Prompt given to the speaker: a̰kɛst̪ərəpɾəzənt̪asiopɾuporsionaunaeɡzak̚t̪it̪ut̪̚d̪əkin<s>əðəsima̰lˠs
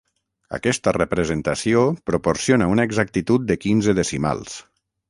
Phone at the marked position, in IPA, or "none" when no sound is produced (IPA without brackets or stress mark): z